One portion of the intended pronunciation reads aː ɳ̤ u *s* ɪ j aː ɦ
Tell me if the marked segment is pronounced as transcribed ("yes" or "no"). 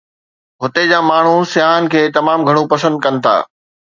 yes